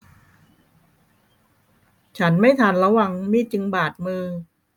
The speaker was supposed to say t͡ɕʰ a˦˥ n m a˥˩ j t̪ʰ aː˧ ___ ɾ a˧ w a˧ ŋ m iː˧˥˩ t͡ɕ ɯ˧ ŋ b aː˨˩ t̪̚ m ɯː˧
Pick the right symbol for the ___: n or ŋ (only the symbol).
n